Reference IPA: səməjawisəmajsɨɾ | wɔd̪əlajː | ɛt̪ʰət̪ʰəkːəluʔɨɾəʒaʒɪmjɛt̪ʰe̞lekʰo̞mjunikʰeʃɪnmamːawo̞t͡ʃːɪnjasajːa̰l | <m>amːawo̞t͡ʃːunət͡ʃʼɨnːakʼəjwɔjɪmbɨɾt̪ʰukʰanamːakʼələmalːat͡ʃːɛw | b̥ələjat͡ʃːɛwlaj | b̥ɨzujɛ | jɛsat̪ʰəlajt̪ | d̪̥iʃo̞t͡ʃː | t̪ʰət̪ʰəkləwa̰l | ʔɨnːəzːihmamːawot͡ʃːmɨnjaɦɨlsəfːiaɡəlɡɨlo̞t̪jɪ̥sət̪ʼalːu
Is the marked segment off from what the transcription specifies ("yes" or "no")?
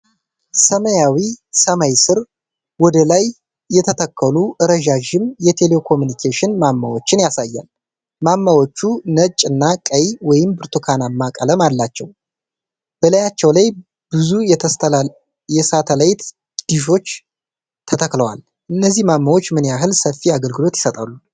no